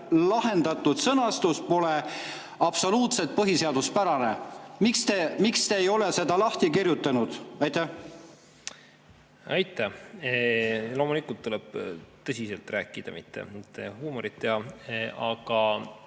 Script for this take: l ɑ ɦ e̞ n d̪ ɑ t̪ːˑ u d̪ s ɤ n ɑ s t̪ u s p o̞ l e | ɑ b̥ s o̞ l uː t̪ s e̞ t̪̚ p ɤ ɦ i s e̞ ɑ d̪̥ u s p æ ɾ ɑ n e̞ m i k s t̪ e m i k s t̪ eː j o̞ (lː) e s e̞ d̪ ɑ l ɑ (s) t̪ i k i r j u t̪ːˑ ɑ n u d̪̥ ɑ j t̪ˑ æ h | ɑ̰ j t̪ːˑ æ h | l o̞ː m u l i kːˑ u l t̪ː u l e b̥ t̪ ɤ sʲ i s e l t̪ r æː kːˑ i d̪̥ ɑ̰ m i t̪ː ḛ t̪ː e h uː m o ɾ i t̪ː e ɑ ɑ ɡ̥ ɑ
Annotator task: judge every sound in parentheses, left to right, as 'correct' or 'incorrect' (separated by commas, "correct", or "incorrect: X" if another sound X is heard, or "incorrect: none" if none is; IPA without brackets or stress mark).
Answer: incorrect: l, incorrect: h